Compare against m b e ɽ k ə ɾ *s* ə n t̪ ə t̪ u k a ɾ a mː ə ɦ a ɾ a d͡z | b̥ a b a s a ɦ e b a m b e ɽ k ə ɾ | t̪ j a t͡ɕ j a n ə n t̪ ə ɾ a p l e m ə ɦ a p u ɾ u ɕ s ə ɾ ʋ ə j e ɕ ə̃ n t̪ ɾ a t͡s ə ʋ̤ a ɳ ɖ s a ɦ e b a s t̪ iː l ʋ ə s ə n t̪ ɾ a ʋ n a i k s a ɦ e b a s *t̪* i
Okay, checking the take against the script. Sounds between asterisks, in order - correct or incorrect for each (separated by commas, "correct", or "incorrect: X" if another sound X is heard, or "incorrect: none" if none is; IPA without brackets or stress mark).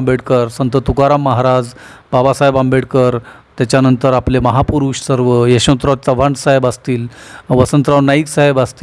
correct, correct